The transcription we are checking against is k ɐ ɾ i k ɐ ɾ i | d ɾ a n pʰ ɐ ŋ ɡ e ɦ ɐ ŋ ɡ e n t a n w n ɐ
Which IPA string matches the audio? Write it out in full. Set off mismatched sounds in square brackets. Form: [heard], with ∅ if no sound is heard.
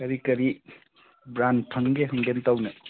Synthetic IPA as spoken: k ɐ ɾ i k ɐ ɾ i | [b] ɾ a n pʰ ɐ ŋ ɡ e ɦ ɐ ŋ ɡ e n t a [∅] w n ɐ